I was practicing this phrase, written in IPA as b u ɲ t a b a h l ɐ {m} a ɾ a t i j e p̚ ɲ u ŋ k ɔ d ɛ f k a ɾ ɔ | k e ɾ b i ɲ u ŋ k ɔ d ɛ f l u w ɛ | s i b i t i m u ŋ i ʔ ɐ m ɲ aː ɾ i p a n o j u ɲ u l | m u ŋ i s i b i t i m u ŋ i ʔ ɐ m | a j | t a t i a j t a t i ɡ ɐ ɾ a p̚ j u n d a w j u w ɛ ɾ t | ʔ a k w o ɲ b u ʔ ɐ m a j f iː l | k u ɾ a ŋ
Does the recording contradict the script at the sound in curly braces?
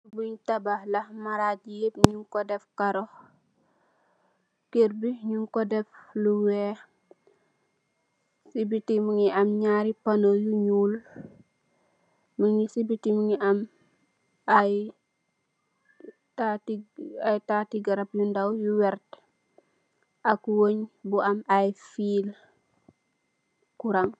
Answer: no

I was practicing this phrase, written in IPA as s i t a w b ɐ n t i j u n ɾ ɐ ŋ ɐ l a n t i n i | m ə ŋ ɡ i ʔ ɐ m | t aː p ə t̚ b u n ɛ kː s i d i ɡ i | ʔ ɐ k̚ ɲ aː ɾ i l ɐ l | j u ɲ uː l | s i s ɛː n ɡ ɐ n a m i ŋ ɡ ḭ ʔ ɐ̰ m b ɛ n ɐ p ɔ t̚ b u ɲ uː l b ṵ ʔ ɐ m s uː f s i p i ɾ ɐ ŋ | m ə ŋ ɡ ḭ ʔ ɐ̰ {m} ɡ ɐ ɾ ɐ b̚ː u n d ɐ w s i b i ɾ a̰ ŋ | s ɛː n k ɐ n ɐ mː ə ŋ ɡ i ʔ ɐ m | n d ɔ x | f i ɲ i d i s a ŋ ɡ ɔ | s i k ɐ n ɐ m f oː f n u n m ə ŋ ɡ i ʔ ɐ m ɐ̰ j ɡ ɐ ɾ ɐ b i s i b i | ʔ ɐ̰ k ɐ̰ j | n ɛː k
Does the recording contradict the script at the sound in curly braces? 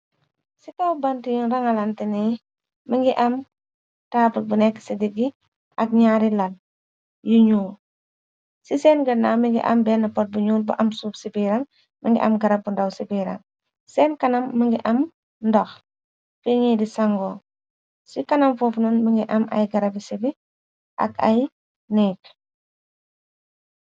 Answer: no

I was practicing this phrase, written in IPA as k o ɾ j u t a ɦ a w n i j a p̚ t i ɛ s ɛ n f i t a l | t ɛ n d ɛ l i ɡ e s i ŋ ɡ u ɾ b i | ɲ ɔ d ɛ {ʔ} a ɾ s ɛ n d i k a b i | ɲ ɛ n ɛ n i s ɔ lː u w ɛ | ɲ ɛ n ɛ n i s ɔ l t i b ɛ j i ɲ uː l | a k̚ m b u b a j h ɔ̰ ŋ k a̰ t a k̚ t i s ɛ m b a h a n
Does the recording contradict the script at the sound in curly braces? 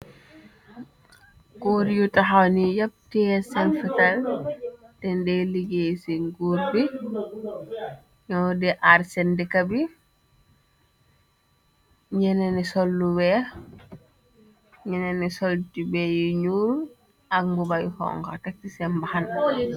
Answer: no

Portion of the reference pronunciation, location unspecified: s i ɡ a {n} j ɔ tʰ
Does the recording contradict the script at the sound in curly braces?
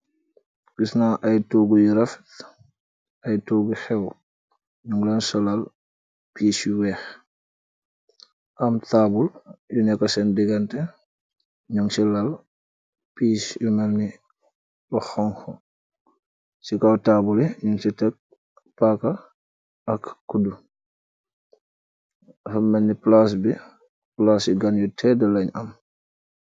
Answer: no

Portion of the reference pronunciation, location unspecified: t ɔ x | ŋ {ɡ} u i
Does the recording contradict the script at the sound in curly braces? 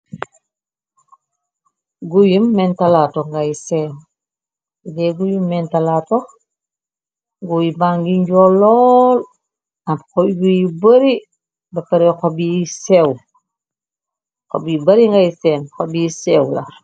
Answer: no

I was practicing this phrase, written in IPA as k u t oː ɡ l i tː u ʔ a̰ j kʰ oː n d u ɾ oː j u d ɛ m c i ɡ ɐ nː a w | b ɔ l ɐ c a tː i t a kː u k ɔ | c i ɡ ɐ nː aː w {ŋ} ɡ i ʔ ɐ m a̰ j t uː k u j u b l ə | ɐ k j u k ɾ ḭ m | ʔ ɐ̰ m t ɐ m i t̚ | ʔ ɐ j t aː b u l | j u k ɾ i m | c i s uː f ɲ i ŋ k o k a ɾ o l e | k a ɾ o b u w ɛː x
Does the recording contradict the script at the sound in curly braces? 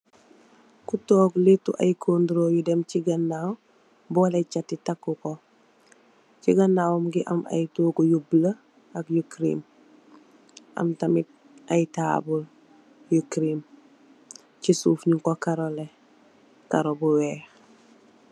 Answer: yes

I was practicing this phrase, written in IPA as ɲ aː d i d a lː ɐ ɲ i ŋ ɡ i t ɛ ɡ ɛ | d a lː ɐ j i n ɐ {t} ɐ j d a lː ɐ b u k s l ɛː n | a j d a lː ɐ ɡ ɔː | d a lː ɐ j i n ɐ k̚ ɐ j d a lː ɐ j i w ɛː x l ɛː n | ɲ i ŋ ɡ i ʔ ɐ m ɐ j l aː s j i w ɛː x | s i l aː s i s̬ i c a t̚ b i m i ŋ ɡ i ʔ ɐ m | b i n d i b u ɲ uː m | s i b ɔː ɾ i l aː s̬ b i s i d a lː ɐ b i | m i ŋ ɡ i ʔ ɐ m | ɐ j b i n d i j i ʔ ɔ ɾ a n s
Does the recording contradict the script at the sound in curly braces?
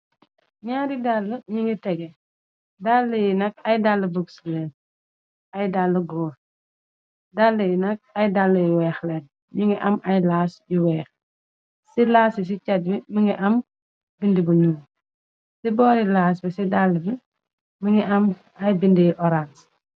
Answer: yes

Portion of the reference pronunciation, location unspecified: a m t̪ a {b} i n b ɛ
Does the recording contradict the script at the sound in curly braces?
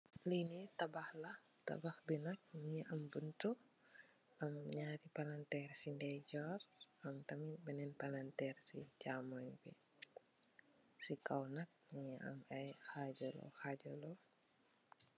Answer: yes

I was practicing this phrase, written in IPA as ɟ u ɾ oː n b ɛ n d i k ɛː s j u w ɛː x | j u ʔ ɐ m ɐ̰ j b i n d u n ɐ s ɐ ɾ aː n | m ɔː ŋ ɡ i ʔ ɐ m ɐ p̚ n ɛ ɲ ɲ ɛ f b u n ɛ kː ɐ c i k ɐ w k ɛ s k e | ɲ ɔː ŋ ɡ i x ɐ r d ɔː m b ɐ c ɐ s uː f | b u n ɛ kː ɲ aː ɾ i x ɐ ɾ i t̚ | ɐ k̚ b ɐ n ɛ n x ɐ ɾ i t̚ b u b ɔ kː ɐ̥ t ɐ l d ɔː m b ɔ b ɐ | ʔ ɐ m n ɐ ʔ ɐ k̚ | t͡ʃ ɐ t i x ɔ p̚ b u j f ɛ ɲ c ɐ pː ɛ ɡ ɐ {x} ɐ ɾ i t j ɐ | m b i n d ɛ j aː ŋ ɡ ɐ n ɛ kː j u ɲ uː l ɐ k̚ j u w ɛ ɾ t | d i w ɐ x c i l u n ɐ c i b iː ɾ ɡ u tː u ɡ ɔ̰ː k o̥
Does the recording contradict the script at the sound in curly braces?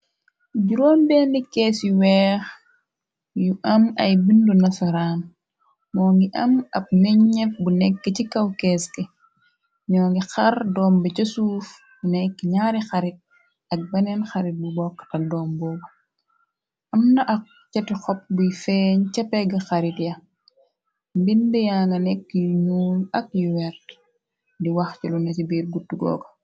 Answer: no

